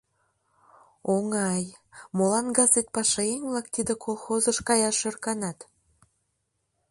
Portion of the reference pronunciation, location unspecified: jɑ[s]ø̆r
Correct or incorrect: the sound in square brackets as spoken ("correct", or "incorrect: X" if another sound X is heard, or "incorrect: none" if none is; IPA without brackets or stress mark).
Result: incorrect: ʃ